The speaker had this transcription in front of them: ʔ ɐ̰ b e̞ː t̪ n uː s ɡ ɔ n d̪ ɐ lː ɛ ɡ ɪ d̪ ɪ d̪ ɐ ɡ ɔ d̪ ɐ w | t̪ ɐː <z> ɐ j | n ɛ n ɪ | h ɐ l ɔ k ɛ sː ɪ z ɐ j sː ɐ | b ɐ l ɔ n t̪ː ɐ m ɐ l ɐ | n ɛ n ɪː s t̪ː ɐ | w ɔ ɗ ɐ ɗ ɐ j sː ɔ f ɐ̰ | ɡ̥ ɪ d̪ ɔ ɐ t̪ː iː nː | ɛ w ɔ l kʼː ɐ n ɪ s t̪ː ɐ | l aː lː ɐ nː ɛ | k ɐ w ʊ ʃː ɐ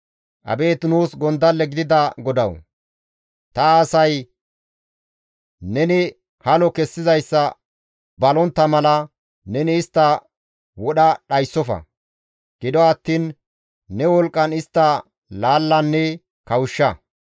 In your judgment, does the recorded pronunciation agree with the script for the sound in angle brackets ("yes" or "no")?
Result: no